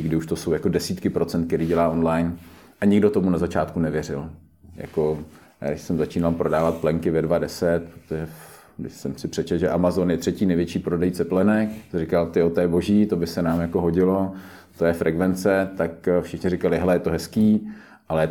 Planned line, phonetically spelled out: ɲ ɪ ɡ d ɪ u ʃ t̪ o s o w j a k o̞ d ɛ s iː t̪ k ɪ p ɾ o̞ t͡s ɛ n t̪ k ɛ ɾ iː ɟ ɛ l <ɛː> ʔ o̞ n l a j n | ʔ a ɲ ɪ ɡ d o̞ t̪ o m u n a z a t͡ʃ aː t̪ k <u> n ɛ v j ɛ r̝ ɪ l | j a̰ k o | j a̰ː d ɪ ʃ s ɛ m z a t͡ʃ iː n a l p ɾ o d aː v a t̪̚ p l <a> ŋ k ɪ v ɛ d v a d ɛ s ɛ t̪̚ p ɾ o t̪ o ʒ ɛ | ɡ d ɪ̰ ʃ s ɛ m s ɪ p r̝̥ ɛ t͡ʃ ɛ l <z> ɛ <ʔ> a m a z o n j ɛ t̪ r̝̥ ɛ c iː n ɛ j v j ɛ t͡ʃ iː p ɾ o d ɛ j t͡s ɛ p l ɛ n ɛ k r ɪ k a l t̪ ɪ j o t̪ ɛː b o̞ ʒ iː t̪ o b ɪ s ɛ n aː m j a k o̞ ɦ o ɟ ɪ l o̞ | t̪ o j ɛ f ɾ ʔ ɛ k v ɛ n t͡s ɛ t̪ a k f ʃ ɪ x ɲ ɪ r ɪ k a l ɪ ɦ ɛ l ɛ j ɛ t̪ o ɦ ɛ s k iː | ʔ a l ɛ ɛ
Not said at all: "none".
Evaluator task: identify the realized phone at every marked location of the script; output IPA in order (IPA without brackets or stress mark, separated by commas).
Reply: aː, u, ɛ, ʒ, ʔ